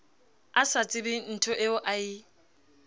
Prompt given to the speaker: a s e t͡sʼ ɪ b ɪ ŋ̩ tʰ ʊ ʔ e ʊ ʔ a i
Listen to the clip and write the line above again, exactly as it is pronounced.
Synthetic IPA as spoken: a s a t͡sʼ ɪ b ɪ n̩ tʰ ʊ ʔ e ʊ ʔ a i